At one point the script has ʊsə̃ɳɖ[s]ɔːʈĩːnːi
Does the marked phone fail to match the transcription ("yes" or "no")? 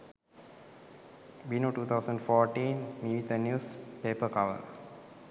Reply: yes